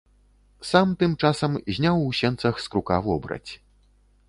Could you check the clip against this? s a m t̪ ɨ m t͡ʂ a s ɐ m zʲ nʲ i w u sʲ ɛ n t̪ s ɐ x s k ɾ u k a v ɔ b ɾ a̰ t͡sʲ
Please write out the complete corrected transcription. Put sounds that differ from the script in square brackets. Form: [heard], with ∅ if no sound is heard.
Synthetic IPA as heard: s a m t̪ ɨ m t͡ʂ a s ɐ m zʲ nʲ [a] w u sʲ ɛ n t̪ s ɐ x s k ɾ u k a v ɔ b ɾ [ɐ̰] t͡sʲ